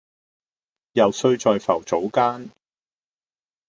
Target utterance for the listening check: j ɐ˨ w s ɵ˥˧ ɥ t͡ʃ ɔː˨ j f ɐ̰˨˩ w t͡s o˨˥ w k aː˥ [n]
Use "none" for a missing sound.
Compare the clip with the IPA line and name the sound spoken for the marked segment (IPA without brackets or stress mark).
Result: n